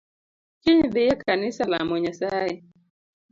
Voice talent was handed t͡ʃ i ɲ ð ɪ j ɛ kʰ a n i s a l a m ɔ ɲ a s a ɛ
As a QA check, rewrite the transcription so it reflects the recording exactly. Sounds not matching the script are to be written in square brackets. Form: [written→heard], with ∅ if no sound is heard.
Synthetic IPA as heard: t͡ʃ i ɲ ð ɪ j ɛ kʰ a n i s a l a m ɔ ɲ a s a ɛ